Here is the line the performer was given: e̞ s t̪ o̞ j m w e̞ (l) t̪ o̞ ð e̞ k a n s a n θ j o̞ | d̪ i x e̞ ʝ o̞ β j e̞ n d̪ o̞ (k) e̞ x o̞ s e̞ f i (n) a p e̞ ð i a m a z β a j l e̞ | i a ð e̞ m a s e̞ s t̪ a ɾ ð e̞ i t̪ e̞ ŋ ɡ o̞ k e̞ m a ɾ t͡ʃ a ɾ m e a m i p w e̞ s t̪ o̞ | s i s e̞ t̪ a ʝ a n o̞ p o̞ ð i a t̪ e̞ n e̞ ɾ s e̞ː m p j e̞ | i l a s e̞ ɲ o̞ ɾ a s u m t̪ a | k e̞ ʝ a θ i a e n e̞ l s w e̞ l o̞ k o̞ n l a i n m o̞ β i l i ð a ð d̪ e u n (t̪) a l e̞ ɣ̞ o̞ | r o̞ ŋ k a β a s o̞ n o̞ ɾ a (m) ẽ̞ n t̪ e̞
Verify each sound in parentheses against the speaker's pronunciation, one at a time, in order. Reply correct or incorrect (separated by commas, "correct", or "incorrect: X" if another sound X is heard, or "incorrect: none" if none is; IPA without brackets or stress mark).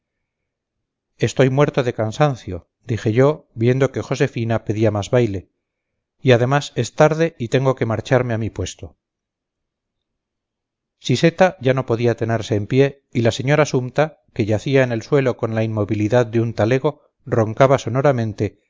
incorrect: ɾ, correct, correct, correct, correct